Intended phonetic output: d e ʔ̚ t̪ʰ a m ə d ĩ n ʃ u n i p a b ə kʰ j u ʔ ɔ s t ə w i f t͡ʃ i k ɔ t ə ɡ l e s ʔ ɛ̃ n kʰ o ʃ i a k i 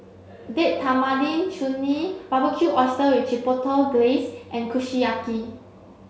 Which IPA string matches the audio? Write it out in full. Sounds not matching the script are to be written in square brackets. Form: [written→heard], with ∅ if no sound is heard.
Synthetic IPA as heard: d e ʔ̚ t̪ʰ a m [ə→a] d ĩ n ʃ u n i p a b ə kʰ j u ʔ ɔ s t ə w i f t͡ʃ i [k→p] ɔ t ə ɡ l e s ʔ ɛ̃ n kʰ [o→u] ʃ i a k i